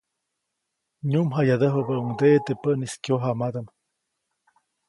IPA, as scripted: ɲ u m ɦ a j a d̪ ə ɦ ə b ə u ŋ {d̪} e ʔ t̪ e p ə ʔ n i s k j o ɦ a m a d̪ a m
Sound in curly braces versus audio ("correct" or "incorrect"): correct